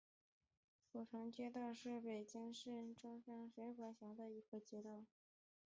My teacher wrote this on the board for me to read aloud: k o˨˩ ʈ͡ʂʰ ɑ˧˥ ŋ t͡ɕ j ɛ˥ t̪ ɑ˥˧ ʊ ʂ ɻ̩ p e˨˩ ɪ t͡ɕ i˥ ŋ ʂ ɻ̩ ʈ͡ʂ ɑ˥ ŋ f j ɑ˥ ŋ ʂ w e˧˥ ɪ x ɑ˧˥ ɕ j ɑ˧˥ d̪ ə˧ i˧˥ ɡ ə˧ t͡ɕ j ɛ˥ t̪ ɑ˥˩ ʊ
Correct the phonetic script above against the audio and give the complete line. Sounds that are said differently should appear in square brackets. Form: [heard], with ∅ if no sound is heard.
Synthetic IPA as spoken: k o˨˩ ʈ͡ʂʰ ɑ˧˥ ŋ t͡ɕ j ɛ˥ t̪ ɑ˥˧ ʊ ʂ ɻ̩ p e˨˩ ɪ t͡ɕ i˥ ŋ ʂ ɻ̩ ʈ͡ʂ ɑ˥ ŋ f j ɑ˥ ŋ ʂ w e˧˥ ɪ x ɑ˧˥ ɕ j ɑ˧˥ d̪ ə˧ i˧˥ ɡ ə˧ t͡ɕ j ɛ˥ t̪ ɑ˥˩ ʊ